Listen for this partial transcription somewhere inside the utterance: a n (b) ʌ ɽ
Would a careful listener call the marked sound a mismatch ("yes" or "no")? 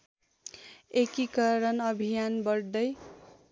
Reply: no